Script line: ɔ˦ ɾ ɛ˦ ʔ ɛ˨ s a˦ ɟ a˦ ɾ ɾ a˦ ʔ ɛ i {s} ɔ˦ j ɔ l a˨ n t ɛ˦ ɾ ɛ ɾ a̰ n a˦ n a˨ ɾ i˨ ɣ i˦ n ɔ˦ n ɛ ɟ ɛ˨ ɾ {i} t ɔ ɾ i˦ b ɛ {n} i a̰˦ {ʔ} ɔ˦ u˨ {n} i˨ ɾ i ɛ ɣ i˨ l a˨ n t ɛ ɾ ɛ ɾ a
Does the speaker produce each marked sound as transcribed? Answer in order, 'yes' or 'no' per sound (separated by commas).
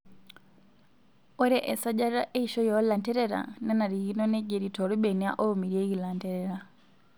no, yes, yes, yes, no